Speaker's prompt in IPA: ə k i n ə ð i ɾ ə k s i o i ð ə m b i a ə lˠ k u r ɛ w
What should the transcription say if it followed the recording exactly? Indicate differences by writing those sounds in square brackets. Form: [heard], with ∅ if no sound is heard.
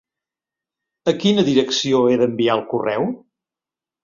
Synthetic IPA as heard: ə k i n ə ð i ɾ ə k s i o [e] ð ə m b i a ə lˠ k u r ɛ w